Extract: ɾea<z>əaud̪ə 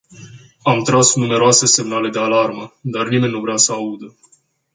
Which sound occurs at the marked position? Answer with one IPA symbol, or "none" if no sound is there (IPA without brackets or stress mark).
s